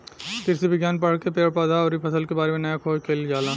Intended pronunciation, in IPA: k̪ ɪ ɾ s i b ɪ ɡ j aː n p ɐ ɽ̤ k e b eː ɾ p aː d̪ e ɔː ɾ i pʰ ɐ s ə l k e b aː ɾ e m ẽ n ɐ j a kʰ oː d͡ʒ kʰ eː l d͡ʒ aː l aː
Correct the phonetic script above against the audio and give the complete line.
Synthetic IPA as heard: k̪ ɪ ɾ s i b ɪ ɡ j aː n p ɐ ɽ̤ k e p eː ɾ p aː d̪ a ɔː ɾ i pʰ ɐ s ə l k e b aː ɾ e m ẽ n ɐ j a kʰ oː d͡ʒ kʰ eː l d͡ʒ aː l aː